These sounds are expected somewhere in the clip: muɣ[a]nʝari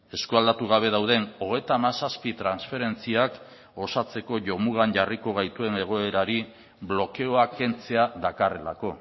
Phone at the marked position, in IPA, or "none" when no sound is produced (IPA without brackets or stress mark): a